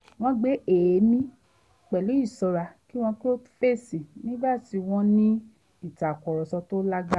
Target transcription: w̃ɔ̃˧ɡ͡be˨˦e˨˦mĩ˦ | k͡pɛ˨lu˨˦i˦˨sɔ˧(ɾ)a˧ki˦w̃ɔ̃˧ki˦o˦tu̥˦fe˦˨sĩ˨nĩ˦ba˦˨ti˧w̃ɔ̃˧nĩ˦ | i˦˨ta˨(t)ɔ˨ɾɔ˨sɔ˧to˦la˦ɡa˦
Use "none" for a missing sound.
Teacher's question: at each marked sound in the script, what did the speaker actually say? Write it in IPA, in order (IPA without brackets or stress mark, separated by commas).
ɾ, k